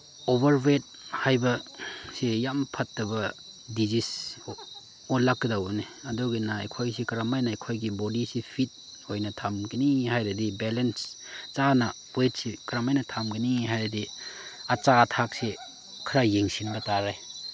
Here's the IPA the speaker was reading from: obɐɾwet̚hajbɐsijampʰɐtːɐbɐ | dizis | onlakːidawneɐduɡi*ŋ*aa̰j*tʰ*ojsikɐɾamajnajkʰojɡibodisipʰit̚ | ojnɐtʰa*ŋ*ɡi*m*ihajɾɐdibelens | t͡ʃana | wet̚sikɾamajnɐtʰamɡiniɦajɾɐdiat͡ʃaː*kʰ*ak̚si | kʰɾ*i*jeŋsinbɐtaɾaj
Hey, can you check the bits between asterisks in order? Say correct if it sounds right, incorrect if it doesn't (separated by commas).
incorrect, incorrect, incorrect, incorrect, incorrect, incorrect